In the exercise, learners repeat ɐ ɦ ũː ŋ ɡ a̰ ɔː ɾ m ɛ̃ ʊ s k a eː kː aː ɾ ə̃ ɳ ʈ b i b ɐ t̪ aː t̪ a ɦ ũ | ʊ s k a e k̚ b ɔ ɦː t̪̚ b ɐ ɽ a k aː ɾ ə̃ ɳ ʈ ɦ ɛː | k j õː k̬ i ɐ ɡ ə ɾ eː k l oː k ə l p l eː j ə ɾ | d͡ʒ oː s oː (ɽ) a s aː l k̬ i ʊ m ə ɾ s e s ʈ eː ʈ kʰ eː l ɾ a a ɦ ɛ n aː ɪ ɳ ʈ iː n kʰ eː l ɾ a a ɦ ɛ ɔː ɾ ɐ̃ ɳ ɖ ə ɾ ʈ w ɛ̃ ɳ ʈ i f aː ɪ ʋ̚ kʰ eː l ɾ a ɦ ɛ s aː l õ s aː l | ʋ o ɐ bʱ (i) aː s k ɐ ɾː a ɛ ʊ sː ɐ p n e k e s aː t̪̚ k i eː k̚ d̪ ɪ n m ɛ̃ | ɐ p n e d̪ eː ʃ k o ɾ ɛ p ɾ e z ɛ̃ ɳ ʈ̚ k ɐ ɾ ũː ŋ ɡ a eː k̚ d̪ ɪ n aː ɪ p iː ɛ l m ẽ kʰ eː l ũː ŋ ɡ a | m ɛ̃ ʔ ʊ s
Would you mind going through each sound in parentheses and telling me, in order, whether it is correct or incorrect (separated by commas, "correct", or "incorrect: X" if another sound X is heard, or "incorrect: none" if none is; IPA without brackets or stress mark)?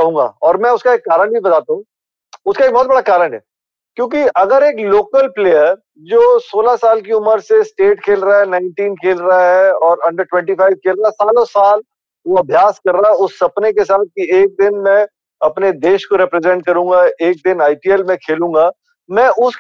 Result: incorrect: l, incorrect: j